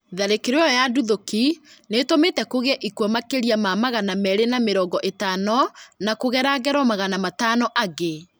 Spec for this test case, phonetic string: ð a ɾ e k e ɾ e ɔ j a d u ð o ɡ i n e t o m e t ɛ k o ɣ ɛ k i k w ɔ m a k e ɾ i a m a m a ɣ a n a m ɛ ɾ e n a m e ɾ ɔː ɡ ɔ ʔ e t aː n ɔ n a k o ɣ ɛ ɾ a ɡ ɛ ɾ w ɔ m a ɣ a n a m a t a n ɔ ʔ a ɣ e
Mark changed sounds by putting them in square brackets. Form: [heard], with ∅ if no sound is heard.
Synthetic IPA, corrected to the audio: ð a ɾ e k e ɾ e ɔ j a d u ð o [k] i n e t o m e t ɛ k o ɣ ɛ [ʔ] i k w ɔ m a k e ɾ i a m a m a ɣ a n a m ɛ ɾ e n a m e ɾ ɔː ɡ ɔ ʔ e t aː n ɔ n a k o ɣ ɛ ɾ a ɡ ɛ ɾ w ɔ m a ɣ a n a m a t a n ɔ ʔ a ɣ e